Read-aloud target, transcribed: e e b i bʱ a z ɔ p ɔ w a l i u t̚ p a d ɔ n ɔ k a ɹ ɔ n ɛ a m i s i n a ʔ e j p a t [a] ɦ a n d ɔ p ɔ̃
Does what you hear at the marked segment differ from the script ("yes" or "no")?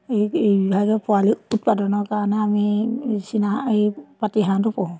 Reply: yes